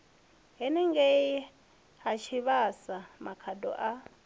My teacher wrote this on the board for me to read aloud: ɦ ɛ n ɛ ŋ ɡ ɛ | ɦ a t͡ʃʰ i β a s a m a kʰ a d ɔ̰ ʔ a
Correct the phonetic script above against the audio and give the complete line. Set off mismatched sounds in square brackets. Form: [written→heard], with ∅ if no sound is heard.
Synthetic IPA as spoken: ɦ ɛ n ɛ ŋ ɡ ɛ | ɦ a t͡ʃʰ i β a s a m a kʰ a d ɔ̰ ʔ a